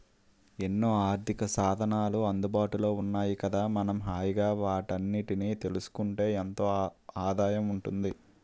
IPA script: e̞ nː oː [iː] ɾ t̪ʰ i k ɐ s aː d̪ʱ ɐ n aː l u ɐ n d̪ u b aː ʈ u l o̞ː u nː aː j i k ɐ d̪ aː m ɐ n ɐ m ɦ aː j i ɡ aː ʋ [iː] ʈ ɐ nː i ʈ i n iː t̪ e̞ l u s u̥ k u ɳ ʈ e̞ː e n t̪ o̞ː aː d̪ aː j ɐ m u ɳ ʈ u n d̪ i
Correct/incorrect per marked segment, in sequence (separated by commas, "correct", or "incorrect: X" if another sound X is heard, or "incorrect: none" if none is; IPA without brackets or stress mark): incorrect: aː, incorrect: aː